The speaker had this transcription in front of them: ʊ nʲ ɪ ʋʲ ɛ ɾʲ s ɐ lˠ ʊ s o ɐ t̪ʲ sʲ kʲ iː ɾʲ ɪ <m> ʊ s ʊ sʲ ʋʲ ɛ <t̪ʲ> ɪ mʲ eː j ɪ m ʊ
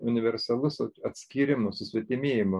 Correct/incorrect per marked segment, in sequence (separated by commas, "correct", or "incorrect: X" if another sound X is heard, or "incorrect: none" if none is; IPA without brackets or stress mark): correct, correct